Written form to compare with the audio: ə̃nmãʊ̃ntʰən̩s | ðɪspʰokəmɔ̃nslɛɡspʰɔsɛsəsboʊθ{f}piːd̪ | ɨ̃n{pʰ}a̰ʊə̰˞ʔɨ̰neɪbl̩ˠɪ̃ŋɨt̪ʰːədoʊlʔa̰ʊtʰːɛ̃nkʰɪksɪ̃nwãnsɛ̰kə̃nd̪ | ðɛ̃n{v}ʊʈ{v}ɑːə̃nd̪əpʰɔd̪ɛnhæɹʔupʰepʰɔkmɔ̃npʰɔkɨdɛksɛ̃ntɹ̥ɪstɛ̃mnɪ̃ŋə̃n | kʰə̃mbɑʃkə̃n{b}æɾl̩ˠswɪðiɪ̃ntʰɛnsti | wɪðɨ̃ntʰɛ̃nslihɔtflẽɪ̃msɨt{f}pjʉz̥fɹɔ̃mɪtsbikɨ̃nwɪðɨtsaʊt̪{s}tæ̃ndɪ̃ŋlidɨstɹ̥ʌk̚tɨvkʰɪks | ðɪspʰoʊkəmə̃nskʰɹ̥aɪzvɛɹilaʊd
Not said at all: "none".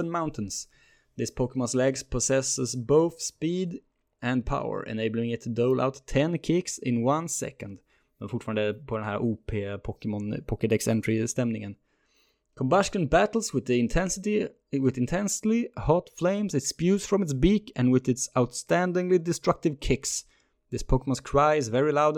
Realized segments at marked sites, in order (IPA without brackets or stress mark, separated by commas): s, pʰ, f, f, b, s, s